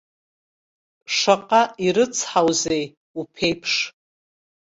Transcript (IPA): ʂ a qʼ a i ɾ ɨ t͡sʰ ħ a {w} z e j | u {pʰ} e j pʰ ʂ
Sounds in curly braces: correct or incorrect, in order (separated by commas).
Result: correct, correct